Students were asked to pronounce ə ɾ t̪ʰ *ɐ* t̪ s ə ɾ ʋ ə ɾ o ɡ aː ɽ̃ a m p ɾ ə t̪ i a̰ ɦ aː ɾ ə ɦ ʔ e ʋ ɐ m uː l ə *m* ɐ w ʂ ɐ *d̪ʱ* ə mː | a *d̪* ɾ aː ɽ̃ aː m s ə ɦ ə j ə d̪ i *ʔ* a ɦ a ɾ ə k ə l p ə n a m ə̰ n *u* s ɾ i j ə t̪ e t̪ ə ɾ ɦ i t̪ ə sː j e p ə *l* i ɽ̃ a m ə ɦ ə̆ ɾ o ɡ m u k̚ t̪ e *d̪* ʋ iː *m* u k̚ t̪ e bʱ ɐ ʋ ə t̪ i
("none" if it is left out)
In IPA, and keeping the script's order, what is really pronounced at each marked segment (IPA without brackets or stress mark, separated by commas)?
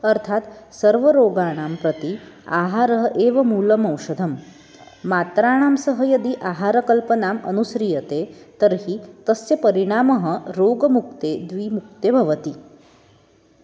a, m, d̪ʱ, t̪, ʔ, u, ɾ, d̪, m